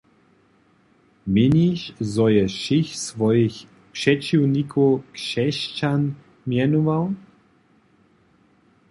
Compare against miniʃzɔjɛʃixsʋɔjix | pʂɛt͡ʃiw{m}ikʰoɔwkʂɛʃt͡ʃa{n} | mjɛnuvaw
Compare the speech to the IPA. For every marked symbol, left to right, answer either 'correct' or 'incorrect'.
incorrect: n, correct

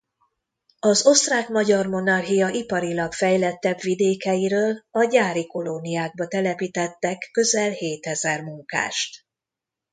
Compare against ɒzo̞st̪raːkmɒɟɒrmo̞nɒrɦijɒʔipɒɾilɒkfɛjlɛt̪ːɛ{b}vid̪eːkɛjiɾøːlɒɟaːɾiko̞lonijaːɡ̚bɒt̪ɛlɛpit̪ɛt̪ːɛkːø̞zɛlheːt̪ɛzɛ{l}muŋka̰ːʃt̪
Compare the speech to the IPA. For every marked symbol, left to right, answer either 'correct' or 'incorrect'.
correct, incorrect: r

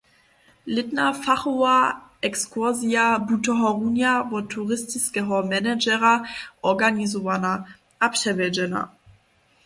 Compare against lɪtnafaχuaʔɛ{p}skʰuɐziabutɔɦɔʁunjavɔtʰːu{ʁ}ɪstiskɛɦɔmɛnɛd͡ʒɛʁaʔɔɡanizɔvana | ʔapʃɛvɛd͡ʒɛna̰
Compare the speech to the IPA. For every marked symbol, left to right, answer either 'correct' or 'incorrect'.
incorrect: k, correct

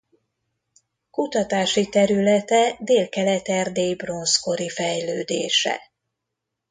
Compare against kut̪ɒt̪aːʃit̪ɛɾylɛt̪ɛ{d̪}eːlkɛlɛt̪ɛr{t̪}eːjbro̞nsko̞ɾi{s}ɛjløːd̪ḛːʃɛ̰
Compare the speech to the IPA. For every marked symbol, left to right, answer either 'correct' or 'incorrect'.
correct, incorrect: d̪, incorrect: f

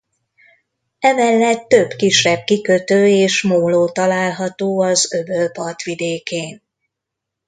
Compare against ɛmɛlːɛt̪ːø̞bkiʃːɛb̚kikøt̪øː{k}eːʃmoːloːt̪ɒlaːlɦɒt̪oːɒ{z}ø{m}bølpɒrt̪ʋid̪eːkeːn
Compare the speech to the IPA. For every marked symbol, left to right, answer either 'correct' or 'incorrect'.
incorrect: none, correct, incorrect: none

